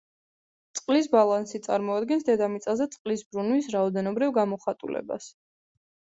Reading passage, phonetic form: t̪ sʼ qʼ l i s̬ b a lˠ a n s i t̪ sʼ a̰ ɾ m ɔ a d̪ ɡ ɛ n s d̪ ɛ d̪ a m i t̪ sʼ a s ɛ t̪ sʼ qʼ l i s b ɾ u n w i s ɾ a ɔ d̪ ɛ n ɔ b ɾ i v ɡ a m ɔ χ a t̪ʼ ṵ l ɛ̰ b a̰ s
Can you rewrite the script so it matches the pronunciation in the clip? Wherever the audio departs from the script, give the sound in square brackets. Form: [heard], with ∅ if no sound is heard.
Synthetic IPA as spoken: t̪ sʼ qʼ l i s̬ b a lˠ a n s i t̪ sʼ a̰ ɾ m ɔ a d̪ ɡ ɛ n s d̪ ɛ d̪ a m i t̪ sʼ a [z] ɛ t̪ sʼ qʼ l i s b ɾ u n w i s ɾ a ɔ d̪ ɛ n ɔ b ɾ i v ɡ a m ɔ χ a t̪ʼ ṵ l ɛ̰ b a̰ s